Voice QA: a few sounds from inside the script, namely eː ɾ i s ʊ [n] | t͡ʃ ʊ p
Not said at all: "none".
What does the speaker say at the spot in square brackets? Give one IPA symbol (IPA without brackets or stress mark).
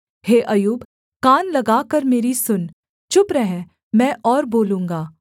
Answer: n